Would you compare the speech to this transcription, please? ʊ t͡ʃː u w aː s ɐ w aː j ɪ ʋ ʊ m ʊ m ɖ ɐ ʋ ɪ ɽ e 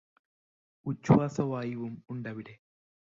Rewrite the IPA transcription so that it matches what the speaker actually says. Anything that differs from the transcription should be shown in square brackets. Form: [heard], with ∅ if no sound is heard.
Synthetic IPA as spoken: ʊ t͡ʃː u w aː s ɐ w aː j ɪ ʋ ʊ m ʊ [ɳ] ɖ ɐ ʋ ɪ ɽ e